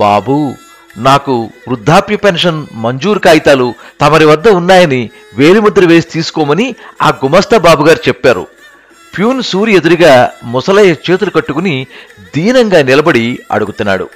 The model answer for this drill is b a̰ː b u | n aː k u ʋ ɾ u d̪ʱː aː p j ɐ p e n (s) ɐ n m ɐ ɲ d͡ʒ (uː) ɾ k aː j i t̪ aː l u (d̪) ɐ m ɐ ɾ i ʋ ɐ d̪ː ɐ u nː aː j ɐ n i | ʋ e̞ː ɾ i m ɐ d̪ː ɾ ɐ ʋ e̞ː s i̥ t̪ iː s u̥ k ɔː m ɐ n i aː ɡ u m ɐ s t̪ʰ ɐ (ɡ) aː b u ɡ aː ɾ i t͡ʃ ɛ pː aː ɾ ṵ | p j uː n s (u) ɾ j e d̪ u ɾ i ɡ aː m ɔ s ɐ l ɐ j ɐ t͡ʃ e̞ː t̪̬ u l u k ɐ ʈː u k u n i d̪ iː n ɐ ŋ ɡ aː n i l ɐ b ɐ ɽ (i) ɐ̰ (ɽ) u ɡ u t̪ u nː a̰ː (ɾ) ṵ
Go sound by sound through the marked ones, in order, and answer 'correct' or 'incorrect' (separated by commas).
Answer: incorrect, correct, incorrect, incorrect, incorrect, correct, correct, incorrect